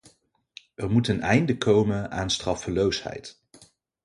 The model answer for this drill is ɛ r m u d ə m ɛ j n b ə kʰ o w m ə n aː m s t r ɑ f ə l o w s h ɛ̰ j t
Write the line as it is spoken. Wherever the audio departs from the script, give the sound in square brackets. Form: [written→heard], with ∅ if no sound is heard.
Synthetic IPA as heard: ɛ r m u [d→t] ə [m→n] ɛ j n [b→d] ə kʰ o w m ə n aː [m→n] s t r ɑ f ə l o w s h ɛ̰ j t